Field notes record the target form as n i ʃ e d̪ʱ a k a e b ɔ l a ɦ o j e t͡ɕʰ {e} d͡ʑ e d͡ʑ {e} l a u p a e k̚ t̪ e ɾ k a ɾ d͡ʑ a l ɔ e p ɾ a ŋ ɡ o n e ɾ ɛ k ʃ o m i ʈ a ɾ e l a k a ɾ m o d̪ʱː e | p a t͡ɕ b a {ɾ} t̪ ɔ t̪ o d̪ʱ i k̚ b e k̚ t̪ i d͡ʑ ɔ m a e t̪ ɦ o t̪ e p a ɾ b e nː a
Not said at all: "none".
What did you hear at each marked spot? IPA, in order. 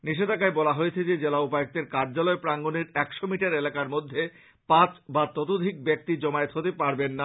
e, e, none

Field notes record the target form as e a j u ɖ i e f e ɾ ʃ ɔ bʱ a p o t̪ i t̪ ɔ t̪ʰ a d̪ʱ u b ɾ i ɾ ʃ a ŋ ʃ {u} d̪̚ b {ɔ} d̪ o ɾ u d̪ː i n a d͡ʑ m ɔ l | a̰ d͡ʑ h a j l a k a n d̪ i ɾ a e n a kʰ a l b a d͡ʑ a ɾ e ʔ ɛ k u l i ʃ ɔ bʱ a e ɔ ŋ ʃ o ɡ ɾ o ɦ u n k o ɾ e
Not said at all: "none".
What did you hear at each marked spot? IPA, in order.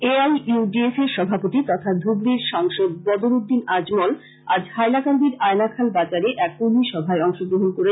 o, ɔ

